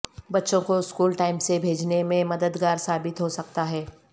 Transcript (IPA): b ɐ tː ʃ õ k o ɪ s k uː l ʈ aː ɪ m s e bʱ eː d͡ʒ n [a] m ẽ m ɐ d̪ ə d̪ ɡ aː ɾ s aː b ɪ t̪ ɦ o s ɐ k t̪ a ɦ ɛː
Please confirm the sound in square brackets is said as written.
no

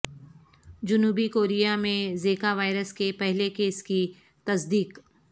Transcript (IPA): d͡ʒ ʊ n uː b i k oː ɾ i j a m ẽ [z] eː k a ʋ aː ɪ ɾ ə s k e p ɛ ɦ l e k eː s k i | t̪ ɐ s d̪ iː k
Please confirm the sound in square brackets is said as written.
yes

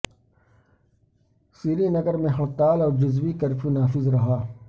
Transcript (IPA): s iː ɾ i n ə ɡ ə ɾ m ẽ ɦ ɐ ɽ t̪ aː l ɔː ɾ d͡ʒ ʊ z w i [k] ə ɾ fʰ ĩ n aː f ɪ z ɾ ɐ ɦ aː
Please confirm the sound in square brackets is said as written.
yes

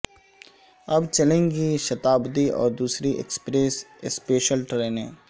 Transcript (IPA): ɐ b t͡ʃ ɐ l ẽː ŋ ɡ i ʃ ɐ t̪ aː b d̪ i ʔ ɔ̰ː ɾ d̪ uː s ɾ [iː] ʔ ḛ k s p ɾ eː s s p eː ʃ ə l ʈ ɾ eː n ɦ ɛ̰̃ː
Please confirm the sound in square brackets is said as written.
no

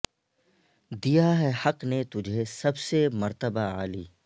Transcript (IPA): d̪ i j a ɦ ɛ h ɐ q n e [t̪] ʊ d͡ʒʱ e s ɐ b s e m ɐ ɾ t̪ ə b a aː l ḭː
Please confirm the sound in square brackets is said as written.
yes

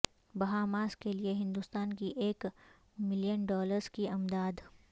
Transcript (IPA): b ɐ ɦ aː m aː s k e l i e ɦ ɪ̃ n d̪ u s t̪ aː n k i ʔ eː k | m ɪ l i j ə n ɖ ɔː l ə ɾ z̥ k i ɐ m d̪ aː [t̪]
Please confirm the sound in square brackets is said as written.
no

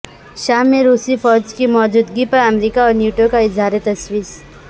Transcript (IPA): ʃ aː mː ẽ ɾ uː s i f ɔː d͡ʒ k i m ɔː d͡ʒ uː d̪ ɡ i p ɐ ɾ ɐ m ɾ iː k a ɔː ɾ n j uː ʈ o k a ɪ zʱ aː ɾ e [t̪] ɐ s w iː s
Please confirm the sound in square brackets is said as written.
yes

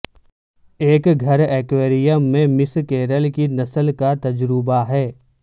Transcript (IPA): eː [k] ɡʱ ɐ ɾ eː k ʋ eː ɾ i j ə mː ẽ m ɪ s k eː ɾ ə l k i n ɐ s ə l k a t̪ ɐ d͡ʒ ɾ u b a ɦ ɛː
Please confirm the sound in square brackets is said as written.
yes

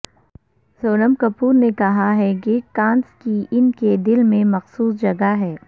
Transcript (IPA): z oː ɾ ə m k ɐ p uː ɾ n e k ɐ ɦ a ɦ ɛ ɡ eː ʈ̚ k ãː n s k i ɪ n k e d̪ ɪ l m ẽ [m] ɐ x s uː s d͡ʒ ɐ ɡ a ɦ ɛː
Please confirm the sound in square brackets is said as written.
yes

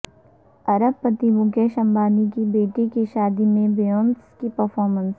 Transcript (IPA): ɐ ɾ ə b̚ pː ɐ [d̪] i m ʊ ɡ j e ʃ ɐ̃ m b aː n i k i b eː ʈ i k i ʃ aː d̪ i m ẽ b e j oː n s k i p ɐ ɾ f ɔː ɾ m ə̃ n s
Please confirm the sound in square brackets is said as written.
no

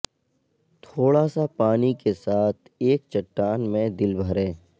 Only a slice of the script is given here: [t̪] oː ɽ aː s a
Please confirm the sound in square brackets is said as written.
no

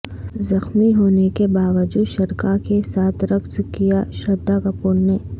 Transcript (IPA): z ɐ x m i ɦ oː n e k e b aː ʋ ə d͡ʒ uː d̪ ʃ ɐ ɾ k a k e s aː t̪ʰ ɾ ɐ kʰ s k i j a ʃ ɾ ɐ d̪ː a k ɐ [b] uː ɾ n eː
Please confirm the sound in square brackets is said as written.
no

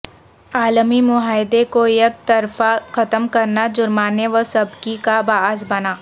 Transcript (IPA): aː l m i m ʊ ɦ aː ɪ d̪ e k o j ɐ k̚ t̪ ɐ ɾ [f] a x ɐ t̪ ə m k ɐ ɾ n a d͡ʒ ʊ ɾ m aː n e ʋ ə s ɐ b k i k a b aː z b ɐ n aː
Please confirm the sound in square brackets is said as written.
yes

